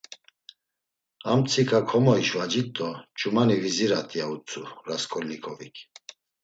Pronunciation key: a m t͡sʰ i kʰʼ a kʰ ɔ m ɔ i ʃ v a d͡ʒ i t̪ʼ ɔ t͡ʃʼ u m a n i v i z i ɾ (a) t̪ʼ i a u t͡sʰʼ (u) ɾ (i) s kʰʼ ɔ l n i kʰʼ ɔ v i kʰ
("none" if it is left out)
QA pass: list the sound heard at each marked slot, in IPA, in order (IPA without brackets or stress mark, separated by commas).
a, u, a